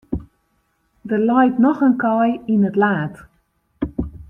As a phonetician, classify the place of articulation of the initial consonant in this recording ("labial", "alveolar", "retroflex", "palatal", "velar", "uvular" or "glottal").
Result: alveolar